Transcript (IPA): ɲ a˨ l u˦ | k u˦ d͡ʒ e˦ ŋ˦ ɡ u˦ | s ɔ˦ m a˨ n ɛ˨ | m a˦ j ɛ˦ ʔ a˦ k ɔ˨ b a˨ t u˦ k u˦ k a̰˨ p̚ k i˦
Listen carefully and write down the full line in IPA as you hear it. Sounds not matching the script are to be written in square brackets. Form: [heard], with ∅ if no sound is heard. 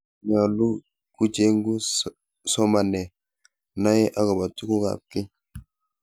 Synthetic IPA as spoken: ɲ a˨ l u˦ | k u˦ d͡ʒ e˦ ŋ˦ ɡ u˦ | s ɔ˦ m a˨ n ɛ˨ | [n] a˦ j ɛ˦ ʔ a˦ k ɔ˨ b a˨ t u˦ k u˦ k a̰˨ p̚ k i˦